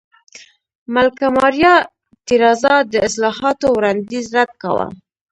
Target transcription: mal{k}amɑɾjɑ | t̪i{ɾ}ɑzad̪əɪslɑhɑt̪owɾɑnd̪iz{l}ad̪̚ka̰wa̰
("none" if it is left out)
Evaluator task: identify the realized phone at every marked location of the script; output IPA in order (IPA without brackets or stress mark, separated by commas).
k, ɾ, ɾ